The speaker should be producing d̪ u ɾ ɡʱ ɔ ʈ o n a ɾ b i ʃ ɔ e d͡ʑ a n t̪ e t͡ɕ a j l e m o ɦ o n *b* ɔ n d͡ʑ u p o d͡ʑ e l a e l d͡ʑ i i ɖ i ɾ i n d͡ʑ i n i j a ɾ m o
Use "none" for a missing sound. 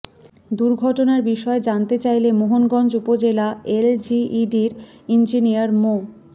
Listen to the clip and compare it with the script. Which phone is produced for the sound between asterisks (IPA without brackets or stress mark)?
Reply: ɡ